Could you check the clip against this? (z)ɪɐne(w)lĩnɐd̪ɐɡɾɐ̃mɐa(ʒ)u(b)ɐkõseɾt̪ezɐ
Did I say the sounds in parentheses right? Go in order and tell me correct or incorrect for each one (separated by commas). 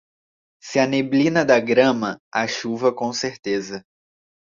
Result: incorrect, incorrect, incorrect, incorrect